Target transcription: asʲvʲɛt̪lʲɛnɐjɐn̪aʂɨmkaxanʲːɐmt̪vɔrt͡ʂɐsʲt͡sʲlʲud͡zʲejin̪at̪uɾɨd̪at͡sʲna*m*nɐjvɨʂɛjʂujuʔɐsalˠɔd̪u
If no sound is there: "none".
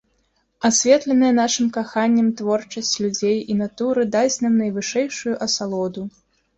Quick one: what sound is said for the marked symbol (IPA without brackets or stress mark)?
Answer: m